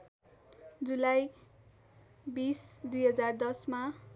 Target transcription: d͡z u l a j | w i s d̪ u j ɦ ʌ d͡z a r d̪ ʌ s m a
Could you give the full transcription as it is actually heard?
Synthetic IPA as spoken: d͡z u l a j | b i s d̪ u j ɦ ʌ d͡z a r d̪ ʌ s m a